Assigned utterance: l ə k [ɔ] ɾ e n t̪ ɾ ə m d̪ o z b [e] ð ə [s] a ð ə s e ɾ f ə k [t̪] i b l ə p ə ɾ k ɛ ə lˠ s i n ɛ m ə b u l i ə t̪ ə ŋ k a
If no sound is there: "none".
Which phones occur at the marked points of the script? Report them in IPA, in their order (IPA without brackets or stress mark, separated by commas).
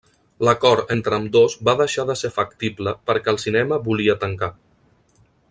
ɔ, a, ʃ, t̪